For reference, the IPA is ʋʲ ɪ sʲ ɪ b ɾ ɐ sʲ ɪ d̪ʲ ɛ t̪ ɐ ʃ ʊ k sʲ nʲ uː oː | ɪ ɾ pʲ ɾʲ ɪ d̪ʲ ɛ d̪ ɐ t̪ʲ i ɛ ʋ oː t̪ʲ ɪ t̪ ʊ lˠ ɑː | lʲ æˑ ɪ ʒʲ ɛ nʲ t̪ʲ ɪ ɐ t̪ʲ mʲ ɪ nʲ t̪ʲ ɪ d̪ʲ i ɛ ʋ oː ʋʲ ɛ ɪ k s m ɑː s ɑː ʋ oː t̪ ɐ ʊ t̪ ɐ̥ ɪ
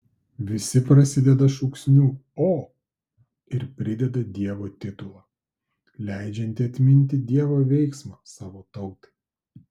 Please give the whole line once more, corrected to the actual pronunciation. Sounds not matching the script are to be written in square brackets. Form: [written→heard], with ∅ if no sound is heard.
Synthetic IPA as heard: ʋʲ ɪ sʲ ɪ [b→p] ɾ ɐ sʲ ɪ d̪ʲ ɛ [t̪→d̪] ɐ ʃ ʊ k sʲ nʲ uː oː | ɪ ɾ pʲ ɾʲ ɪ d̪ʲ ɛ d̪ ɐ [t̪ʲ→d̪ʲ] i ɛ ʋ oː t̪ʲ ɪ t̪ ʊ lˠ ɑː | lʲ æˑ ɪ [ʒʲ→d͡ʒʲ] ɛ nʲ t̪ʲ ɪ ɐ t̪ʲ mʲ ɪ nʲ t̪ʲ ɪ d̪ʲ i ɛ ʋ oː ʋʲ ɛ ɪ k s m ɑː s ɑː ʋ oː t̪ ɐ ʊ t̪ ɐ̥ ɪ